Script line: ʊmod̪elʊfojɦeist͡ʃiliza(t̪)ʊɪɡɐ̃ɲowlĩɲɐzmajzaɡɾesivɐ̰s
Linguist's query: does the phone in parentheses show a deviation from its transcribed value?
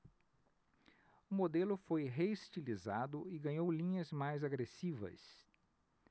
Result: yes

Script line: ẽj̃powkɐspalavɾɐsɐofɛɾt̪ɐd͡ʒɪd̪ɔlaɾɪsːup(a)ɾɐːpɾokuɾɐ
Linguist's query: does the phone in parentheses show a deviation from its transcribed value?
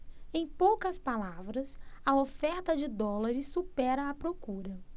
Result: yes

